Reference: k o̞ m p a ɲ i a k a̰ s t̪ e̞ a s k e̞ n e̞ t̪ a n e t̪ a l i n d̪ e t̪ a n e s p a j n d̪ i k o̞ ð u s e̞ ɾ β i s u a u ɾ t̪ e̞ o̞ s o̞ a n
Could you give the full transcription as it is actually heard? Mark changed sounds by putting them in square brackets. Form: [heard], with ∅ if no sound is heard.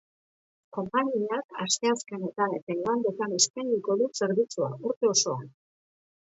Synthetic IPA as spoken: k o̞ m p a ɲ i a k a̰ s t̪ e̞ a s k e̞ n e̞ t̪ a n e t̪ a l [a] n d̪ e t̪ a n e s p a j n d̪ i k o̞ ð u s e̞ ɾ β i [t͡s] u a u ɾ t̪ e̞ o̞ s o̞ a n